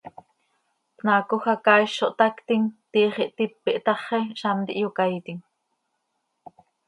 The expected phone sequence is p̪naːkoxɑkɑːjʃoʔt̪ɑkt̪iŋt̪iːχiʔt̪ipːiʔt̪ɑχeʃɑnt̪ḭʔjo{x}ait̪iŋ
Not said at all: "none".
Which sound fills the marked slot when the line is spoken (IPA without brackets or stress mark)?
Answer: k